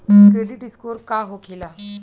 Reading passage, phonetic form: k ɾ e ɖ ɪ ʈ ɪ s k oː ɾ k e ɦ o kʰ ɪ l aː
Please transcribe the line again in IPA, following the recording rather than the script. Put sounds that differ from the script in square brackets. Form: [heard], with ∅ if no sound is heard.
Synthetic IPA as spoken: k ɾ e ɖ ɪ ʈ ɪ s k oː ɾ k [a] ɦ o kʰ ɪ l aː